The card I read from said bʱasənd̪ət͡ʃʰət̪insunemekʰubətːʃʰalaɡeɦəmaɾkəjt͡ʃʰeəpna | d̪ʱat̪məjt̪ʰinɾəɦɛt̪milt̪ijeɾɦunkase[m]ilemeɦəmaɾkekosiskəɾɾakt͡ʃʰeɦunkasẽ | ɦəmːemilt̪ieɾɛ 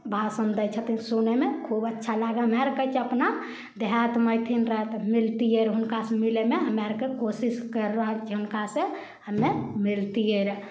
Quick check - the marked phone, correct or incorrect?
correct